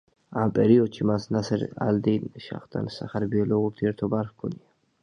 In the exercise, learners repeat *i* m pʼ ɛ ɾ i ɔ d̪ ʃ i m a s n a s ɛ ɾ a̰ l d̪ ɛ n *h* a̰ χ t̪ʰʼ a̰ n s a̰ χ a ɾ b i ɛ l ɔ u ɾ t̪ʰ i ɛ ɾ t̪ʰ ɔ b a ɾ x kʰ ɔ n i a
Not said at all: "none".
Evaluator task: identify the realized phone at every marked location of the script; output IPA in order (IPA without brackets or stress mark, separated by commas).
a, ʃ